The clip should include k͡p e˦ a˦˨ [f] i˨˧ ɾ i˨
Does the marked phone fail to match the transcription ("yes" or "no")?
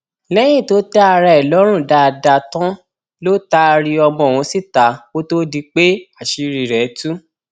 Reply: yes